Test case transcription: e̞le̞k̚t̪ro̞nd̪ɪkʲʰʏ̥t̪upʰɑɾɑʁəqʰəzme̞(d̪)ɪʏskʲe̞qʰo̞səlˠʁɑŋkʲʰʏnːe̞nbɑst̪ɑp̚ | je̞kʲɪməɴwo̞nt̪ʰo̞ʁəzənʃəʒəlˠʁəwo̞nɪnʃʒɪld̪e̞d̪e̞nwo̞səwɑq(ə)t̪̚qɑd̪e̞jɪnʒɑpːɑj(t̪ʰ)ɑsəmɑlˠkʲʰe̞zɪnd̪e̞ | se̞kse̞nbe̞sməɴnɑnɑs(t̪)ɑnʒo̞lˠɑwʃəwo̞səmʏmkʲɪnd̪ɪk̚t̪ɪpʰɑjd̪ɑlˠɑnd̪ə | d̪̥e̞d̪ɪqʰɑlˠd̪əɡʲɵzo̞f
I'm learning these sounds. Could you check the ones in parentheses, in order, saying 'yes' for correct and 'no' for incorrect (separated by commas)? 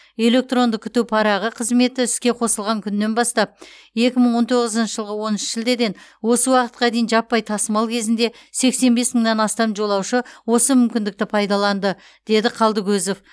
no, yes, yes, yes